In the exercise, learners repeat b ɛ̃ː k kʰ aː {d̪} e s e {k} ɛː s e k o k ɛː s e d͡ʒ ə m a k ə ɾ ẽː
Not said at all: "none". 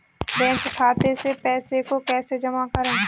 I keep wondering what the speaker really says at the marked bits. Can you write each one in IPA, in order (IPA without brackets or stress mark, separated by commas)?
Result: t̪, p